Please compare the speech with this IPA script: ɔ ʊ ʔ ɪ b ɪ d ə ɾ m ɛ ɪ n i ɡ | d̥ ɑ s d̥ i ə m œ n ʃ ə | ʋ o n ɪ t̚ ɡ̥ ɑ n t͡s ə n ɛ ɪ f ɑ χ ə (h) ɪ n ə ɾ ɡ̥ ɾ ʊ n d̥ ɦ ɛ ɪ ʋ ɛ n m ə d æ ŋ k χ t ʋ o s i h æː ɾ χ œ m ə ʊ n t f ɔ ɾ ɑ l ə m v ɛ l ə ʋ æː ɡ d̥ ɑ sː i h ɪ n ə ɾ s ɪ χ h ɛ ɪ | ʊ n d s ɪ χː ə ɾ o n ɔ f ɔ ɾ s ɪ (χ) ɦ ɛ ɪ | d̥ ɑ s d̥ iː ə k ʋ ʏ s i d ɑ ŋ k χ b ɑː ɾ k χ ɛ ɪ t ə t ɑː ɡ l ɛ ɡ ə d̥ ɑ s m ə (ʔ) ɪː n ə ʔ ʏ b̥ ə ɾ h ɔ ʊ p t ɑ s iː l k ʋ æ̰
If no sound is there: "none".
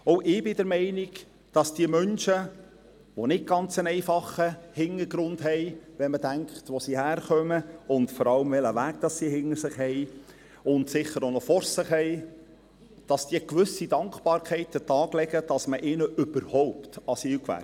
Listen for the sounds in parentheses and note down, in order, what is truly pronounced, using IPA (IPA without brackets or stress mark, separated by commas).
h, χ, ʔ